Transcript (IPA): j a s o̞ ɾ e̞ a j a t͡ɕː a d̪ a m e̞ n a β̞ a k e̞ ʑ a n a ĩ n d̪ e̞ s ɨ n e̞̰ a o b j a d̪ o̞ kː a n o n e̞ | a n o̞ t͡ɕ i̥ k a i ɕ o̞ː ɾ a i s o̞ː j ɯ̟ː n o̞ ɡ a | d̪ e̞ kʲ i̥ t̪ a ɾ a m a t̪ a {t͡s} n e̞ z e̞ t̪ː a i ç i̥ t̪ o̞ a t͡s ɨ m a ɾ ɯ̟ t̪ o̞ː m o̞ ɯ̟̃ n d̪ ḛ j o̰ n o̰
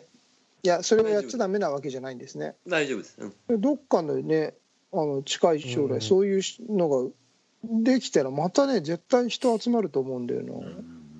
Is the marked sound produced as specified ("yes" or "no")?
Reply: no